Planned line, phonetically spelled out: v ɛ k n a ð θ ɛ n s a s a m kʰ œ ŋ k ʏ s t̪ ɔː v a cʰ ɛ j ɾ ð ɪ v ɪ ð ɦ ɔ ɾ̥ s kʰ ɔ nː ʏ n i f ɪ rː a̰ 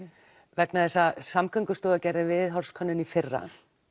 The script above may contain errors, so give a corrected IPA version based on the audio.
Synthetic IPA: v ɛ k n a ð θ ɛ s a s a m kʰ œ ŋ k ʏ s t̪ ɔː ð a c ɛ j ɾ ð ɪ v ɪ ð ɦ ɔ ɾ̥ s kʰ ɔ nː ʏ n i f ɪ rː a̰

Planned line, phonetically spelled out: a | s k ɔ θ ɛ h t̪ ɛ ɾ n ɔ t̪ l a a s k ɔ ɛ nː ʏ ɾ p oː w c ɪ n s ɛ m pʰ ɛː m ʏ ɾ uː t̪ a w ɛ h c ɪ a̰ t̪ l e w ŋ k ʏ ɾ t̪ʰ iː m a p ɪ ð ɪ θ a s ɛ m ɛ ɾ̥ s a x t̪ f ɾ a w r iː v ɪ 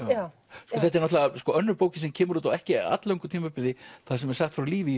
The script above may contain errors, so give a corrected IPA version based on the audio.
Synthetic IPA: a | s k ɔ θ ɛ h t̪ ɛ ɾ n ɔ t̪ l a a s k ɔ œ nː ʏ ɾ p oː w c ɪ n s ɛ m cʰ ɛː m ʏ ɾ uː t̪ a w ɛ h c ɪ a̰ t̪ l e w ŋ k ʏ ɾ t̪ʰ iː m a p ɪ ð ɪ θ a s ɛ m ɛ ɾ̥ s a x t̪ f ɾ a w l iː v ɪ

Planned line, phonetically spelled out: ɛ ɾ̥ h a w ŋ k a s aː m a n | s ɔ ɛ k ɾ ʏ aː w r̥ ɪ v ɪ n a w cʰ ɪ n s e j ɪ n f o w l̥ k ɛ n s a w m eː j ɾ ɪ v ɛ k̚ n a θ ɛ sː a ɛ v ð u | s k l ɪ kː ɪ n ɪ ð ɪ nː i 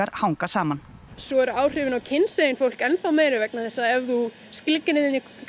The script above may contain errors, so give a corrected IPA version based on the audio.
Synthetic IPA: a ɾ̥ h a w ŋ k a s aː m a n | s ɔ ɛ ɾ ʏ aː w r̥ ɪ v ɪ n a w cʰ ɪ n s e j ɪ n f o w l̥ k ɛ n θ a w m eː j ɾ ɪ v ɛ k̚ n a θ ɛ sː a ɛ v ð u | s k l ɪ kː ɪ n ɪ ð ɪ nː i

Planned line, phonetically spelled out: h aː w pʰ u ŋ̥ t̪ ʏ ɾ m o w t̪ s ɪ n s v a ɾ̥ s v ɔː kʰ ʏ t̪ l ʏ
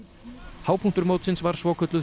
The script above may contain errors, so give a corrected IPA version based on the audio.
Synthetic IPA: h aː w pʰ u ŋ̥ t̪ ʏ ɾ m o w t̪ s ɪ n s v a ɾ̥ s v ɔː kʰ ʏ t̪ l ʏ

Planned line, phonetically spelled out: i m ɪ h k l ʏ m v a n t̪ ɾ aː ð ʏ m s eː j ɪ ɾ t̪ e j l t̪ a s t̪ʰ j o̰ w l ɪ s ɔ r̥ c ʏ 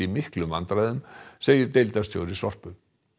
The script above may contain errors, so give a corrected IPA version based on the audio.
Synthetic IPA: i m ɪ h k l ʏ m v a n t̪ ɾ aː ð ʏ m s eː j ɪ ɾ t̪ e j l t̪ a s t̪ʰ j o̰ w ɾ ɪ s ɔ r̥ p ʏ

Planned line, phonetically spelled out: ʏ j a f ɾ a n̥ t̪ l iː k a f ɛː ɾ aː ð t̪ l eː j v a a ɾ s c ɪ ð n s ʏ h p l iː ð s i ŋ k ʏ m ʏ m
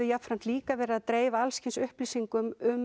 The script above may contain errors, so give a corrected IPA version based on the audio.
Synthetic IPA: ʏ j a f ɾ a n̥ t̪ l iː k a v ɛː ɾ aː ð t̪ ɾ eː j v a a l s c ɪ n s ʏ h p l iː s i ŋ k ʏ m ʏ m

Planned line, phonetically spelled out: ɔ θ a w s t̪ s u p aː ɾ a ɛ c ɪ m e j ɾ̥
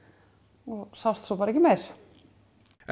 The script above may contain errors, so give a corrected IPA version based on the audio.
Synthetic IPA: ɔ s a w s t̪ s ɔ p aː ɾ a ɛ c ɪ m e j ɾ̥

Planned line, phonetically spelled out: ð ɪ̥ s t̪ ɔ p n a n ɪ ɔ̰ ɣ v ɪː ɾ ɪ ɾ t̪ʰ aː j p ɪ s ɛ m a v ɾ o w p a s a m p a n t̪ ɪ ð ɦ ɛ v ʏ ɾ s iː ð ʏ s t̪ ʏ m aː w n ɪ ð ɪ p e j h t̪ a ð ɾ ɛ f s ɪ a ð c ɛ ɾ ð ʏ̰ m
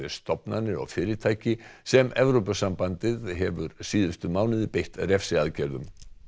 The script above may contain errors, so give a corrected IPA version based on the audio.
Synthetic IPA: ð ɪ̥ s t̪ ɔ p n a n ɪ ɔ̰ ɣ f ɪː ɾ ɪ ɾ t̪ʰ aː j c ɪ s ɛ m ɛ v ɾ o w p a s a m p a n t̪ ɪ ð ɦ ɛ v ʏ ɾ s iː ð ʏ s t̪ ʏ m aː w n ɪ ð ɪ p e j h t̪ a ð ɾ ɛ f s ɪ a ð c ɛ ɾ ð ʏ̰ m

